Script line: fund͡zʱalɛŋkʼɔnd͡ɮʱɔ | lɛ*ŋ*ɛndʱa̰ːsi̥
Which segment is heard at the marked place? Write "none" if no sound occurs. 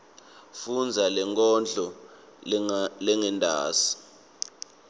ŋ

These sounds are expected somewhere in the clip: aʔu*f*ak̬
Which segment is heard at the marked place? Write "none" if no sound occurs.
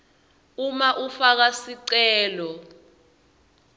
f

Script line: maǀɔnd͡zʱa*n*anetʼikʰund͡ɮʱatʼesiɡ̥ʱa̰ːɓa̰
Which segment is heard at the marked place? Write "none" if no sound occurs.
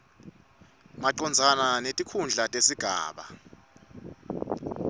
n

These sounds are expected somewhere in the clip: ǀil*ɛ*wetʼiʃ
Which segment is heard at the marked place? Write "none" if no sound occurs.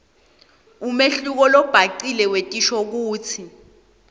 ɛ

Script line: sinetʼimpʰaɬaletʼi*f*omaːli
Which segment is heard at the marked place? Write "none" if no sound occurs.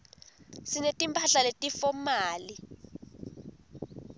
f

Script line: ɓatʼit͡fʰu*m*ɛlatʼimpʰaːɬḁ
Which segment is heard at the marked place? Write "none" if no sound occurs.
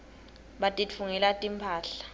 ŋ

